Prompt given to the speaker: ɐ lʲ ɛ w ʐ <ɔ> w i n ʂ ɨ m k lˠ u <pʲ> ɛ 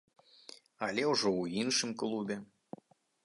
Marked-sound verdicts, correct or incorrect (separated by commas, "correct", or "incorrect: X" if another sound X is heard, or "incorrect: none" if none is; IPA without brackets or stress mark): correct, incorrect: bʲ